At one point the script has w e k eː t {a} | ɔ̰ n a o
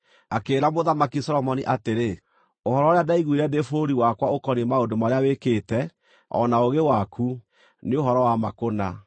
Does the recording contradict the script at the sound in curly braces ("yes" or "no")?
yes